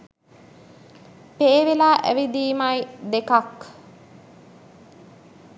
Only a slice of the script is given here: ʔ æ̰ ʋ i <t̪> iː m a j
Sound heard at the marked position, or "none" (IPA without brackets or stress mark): d̪